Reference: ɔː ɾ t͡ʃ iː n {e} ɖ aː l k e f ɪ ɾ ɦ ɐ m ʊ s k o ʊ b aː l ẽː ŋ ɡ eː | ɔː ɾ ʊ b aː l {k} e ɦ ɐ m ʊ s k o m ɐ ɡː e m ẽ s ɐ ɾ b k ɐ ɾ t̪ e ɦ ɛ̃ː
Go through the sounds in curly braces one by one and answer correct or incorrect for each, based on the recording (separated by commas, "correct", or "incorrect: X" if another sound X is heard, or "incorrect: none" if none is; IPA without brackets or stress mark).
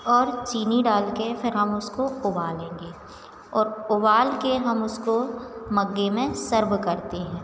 incorrect: i, correct